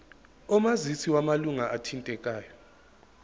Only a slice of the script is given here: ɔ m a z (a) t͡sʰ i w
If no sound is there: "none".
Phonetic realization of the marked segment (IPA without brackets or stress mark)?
i